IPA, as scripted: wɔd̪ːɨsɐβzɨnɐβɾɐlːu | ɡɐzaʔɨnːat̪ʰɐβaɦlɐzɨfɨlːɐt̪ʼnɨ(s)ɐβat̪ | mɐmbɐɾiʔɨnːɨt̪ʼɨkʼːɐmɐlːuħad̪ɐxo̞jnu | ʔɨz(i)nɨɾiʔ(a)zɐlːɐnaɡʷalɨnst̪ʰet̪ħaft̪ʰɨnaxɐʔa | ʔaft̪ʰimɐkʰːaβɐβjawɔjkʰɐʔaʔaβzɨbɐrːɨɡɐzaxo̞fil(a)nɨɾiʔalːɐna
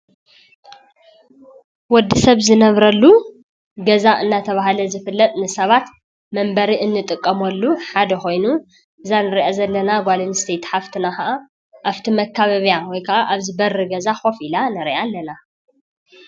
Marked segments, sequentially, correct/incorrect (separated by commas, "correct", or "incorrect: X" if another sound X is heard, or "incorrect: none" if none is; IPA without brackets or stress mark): correct, incorrect: a, correct, correct